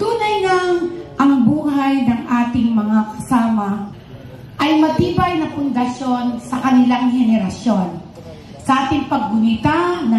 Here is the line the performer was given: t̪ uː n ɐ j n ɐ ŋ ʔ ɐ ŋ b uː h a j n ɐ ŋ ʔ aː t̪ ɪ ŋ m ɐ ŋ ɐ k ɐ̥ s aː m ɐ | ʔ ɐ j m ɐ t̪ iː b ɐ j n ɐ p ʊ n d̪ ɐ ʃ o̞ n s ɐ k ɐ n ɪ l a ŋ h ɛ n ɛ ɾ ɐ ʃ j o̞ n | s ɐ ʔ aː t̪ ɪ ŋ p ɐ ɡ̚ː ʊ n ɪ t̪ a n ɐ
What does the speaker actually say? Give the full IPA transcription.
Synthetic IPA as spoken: t̪ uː n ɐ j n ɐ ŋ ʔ ɐ ŋ b uː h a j n ɐ ŋ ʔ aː t̪ ɪ ŋ m ɐ ŋ a k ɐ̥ s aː m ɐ | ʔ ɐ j m ɐ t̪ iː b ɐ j n ɐ p ʊ n d̪ ɐ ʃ o̞ n s ɐ k ɐ n ɪ l a ŋ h ɛ n ɛ ɾ ɐ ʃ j o̞ n | s ɐ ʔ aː t̪ ɪ ŋ p ɐ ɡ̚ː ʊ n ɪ t̪ a n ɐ